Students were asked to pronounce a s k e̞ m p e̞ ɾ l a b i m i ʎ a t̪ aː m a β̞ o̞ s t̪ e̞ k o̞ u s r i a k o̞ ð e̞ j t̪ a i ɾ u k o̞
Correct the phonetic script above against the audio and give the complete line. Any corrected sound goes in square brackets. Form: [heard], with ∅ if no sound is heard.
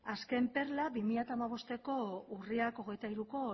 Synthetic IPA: a s k e̞ m p e̞ ɾ l a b i m i ʎ a t̪ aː m a β̞ o̞ s t̪ e̞ k o̞ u [∅] r i a k o̞ [ɣ] e̞ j t̪ a i ɾ u k o̞